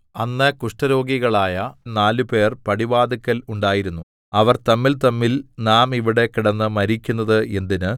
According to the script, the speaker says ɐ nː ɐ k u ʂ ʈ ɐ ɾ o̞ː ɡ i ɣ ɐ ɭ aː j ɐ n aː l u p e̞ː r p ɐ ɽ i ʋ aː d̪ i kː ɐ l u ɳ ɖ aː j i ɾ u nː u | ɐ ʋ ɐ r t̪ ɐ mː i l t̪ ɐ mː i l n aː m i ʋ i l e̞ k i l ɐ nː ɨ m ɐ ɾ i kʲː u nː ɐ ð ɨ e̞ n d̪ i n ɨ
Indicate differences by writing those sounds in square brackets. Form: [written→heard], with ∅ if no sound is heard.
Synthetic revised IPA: ɐ nː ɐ k u ʂ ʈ ɐ ɾ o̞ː ɡ i ɣ ɐ ɭ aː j ɐ n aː l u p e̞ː r p ɐ ɽ i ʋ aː d̪ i kː ɐ l u ɳ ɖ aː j i ɾ u nː u | ɐ ʋ ɐ r t̪ ɐ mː i l t̪ ɐ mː i l n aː m i ʋ i [l→ɽ] e̞ k i [l→ɽ] ɐ nː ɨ m ɐ ɾ i kʲː u nː ɐ ð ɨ e̞ n d̪ i n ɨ